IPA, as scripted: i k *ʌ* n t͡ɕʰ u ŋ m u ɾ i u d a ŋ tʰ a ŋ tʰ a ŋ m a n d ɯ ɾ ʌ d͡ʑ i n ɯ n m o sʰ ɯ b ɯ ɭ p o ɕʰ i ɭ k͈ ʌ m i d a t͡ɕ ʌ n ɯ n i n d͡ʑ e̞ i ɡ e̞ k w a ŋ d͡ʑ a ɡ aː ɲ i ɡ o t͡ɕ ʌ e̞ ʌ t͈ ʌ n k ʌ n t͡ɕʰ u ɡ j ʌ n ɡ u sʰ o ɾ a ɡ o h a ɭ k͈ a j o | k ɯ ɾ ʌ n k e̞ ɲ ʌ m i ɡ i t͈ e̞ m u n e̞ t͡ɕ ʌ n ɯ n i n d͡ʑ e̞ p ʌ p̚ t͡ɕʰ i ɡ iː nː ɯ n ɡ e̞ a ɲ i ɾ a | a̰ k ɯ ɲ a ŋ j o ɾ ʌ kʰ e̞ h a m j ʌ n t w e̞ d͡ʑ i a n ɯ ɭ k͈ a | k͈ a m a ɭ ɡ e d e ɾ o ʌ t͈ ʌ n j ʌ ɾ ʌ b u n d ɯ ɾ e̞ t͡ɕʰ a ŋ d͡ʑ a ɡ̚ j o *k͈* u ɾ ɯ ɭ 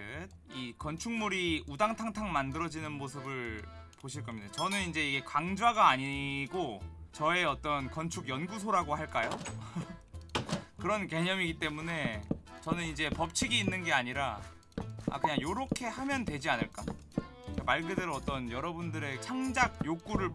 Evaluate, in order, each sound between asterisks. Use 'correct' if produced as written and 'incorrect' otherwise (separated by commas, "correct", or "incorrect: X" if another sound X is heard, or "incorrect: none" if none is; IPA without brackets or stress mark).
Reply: correct, correct